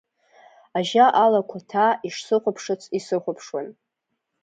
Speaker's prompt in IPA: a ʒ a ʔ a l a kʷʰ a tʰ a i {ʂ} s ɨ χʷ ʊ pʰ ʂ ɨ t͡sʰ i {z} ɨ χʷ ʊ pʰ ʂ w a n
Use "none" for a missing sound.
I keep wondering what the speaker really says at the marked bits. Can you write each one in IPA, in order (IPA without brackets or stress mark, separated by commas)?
ʂ, s